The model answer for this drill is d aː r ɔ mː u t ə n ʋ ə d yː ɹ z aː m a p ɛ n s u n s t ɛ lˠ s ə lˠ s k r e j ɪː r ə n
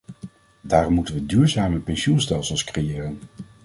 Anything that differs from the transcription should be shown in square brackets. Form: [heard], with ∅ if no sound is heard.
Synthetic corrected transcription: d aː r ɔ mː u t ə n ʋ ə d yː ɹ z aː m [ə] p ɛ n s u n s t ɛ lˠ s ə lˠ s k r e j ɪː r ə n